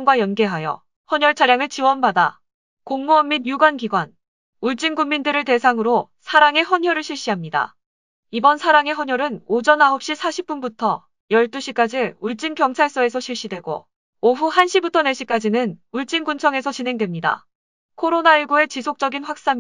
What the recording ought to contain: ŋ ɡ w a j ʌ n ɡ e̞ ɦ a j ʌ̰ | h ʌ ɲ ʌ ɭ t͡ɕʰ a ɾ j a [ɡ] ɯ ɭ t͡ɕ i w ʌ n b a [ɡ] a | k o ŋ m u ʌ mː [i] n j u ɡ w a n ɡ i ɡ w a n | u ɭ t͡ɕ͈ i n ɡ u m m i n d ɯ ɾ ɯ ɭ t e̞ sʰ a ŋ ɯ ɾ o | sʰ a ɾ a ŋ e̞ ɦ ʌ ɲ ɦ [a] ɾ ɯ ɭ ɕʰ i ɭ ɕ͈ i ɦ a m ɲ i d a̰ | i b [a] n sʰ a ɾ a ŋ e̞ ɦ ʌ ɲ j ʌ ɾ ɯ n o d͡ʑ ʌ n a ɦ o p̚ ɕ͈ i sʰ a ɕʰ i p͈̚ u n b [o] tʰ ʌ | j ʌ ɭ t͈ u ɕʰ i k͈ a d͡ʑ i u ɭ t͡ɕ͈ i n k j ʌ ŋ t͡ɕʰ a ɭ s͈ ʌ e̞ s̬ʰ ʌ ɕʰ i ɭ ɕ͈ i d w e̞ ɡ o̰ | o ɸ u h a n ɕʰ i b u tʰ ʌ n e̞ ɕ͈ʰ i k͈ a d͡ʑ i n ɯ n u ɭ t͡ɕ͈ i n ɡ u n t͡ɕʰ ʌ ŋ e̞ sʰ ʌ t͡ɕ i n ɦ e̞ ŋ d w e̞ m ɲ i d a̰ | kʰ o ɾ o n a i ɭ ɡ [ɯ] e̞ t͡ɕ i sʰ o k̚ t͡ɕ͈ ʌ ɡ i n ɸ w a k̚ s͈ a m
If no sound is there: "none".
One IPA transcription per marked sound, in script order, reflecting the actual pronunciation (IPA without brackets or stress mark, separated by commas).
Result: ŋ, d, i, ʌ, ʌ, u, u